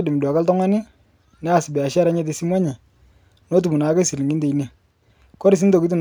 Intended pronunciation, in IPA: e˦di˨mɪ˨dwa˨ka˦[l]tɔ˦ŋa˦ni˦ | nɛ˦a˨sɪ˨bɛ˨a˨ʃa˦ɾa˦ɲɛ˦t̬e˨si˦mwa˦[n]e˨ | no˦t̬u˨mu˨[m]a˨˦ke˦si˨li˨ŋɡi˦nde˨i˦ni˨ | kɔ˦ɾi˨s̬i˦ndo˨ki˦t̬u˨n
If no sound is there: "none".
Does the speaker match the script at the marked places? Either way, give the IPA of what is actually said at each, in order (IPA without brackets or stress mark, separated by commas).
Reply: l, ɲ, n